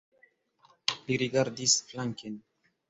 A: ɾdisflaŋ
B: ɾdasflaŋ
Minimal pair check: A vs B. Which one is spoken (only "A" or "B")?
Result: A